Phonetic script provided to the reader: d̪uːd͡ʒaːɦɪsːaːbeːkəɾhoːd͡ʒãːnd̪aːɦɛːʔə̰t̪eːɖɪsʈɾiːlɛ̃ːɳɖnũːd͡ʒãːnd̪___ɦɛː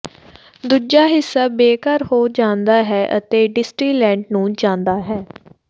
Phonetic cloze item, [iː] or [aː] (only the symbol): aː